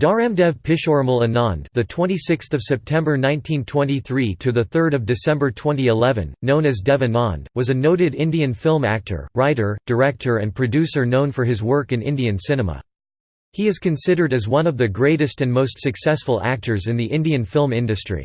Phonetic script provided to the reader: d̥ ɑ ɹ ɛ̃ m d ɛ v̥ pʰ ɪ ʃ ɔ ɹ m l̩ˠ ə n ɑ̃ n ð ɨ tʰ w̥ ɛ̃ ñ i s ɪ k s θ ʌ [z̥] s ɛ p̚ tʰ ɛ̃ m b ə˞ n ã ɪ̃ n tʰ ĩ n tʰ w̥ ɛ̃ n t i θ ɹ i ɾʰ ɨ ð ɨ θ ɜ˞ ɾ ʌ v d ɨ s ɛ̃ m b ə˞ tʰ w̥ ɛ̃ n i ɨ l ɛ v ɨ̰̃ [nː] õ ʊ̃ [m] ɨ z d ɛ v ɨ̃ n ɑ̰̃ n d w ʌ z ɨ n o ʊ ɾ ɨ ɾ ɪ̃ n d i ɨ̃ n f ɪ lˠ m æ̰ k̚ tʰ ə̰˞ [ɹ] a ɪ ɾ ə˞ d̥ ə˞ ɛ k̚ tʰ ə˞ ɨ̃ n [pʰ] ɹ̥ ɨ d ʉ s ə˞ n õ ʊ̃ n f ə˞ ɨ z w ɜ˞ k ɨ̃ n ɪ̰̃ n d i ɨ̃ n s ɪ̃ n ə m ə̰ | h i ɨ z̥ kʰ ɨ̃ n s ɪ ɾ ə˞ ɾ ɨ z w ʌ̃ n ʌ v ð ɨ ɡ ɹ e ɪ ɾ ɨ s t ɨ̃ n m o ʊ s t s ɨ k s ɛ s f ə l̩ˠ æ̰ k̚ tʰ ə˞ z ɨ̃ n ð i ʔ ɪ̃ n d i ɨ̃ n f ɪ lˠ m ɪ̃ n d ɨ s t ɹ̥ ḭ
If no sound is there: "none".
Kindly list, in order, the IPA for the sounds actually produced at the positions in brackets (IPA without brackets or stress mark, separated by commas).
v̥, nː, n, ɹ, pʰ